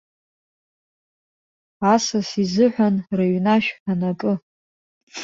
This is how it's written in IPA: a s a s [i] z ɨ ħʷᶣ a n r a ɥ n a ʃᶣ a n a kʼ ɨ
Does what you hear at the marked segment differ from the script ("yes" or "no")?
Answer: no